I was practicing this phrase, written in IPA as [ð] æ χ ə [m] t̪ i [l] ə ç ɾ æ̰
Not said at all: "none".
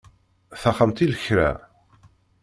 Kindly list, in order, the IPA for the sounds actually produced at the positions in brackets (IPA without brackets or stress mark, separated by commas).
θ, m, l